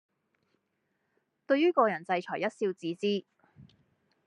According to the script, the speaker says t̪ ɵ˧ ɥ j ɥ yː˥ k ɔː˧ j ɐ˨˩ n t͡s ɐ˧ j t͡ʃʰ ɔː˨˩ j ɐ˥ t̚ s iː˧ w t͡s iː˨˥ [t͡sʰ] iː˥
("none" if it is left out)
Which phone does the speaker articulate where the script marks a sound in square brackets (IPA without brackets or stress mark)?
t͡s